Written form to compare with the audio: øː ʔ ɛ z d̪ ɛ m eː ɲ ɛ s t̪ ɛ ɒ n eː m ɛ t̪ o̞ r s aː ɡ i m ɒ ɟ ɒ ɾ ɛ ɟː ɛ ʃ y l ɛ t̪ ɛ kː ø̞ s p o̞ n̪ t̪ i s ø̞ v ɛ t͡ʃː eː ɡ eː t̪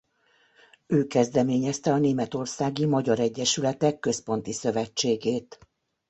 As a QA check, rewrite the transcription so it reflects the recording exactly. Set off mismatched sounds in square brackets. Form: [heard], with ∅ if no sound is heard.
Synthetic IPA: øː [k] ɛ z d̪ ɛ m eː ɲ ɛ s t̪ ɛ ɒ n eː m ɛ t̪ o̞ r s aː ɡ i m ɒ ɟ ɒ ɾ ɛ ɟː ɛ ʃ y l ɛ t̪ ɛ kː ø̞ s p o̞ n̪ t̪ i s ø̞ v ɛ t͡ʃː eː ɡ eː t̪

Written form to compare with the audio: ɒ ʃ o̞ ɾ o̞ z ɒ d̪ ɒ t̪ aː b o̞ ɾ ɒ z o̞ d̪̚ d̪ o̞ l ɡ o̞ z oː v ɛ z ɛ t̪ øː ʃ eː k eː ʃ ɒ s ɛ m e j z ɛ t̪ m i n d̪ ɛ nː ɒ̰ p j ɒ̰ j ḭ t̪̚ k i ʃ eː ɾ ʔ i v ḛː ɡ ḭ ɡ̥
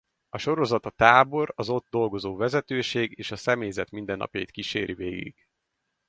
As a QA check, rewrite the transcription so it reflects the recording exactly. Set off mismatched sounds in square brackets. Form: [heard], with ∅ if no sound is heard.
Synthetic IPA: ɒ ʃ o̞ ɾ o̞ z ɒ [t̪] ɒ t̪ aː b o̞ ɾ ɒ z o̞ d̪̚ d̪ o̞ l ɡ o̞ z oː v ɛ z ɛ t̪ øː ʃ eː [ɡ] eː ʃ ɒ s ɛ m e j z ɛ t̪ m i n d̪ ɛ nː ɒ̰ p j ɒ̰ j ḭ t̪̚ k i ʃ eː ɾ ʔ i v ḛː ɡ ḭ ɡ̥

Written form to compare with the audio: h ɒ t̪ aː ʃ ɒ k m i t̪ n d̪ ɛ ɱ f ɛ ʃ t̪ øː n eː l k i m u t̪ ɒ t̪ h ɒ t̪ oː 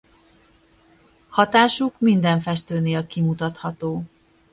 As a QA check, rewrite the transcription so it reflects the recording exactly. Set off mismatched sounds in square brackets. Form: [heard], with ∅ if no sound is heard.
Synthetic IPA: h ɒ t̪ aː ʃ [u] k m i [∅] n d̪ ɛ ɱ f ɛ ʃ t̪ øː n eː l k i m u t̪ ɒ t̪ h ɒ t̪ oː

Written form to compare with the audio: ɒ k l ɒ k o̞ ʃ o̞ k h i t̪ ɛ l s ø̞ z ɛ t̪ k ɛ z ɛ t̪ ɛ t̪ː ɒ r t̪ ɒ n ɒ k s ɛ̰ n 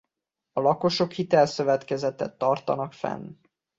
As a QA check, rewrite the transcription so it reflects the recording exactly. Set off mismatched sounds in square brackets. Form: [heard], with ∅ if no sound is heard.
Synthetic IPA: ɒ [∅] l ɒ k o̞ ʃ o̞ k h i t̪ ɛ l s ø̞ [v] ɛ t̪ k ɛ z ɛ t̪ ɛ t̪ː ɒ r t̪ ɒ n ɒ k [f] ɛ̰ n

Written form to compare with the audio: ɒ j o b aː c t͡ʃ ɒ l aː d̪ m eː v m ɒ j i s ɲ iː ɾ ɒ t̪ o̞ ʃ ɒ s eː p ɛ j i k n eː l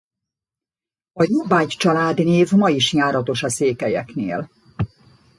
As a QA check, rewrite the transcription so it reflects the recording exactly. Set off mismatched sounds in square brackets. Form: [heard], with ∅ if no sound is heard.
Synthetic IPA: ɒ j o b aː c t͡ʃ ɒ l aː d̪ [n] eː v m ɒ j i [ʃ] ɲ [aː] ɾ ɒ t̪ o̞ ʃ ɒ s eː [k] ɛ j [ɛ] k n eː l

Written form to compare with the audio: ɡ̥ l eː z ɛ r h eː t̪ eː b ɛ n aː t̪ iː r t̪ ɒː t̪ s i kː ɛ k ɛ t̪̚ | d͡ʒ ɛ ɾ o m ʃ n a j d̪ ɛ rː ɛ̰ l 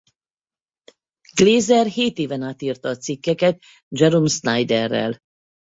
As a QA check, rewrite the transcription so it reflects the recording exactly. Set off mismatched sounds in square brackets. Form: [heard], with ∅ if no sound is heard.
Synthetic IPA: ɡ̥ l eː z ɛ r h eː t̪ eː [v] ɛ n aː t̪ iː r t̪ ɒː t̪ s i kː ɛ k ɛ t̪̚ | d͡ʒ ɛ ɾ o m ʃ n a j d̪ ɛ rː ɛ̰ l

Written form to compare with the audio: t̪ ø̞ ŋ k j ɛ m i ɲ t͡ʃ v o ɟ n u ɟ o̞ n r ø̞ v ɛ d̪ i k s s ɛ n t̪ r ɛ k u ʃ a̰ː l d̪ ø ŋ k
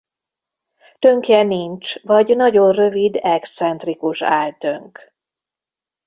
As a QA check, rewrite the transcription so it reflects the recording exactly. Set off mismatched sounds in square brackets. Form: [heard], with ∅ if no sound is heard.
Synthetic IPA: t̪ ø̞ ŋ k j ɛ [n] i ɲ t͡ʃ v [ɒ] ɟ n [ɒ] ɟ o̞ n r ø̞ v [i] d̪ [ɛ] k s s ɛ n t̪ r [i] k u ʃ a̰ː l [t̪] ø ŋ k

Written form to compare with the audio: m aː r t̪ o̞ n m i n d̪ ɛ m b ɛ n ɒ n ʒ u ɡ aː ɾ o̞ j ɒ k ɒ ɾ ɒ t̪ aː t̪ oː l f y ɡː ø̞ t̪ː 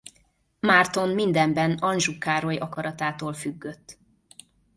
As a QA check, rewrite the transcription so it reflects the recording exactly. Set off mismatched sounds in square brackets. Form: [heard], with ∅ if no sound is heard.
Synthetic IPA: m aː r t̪ o̞ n m i n d̪ ɛ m b ɛ n ɒ n ʒ u [k] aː ɾ o̞ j ɒ k ɒ ɾ ɒ t̪ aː t̪ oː l f y ɡː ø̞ t̪ː

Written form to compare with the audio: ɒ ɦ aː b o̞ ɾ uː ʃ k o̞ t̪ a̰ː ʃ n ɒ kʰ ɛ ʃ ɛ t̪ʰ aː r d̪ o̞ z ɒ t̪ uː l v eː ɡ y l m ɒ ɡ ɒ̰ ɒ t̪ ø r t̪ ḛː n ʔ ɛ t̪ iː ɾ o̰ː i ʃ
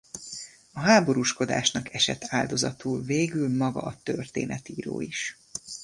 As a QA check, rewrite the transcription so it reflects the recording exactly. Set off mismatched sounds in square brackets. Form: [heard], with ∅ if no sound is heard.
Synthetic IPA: ɒ ɦ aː b o̞ ɾ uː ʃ k o̞ [d̪] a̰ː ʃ n ɒ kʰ ɛ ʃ ɛ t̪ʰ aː [l] d̪ o̞ z ɒ t̪ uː l v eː ɡ y l m ɒ ɡ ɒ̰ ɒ t̪ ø r t̪ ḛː n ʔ ɛ t̪ iː ɾ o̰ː i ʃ

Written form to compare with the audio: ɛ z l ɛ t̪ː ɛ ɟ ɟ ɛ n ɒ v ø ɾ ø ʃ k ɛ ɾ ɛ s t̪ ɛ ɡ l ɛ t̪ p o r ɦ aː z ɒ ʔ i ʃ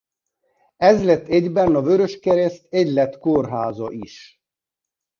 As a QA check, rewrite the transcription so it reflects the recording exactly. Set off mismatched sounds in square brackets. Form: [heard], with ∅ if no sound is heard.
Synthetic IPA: ɛ z l ɛ t̪ː ɛ ɟ [b] ɛ n ɒ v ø ɾ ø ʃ k ɛ ɾ ɛ s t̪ ɛ [ɟ] l ɛ t̪ [k] o r ɦ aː z ɒ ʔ i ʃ

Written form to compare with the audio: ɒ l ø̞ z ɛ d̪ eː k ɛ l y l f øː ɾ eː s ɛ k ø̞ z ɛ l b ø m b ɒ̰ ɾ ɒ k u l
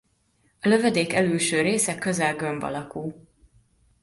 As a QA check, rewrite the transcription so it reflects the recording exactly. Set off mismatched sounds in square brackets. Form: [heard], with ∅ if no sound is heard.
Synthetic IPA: ɒ l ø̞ [v] ɛ d̪ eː k ɛ l y l [ʃ] øː ɾ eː s ɛ k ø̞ z ɛ l [ɡ] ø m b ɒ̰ [l] ɒ k u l

